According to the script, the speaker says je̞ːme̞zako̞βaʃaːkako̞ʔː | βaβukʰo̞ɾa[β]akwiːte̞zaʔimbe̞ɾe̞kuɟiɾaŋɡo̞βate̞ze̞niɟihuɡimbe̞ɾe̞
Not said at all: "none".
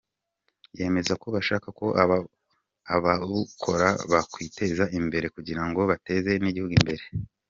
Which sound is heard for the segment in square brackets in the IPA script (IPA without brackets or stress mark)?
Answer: β